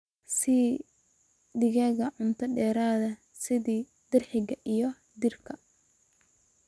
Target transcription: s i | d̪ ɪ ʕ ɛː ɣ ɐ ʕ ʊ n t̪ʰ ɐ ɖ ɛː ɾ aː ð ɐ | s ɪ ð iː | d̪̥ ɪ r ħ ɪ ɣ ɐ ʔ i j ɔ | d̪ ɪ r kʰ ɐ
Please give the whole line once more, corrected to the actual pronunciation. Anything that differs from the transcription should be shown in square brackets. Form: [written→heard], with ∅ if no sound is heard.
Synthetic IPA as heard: s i | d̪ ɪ [ʕ→ɣ] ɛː ɣ ɐ ʕ ʊ n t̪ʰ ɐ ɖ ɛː ɾ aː ð ɐ | s ɪ ð iː | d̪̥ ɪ r ħ ɪ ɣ ɐ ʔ i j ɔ | d̪ ɪ r kʰ ɐ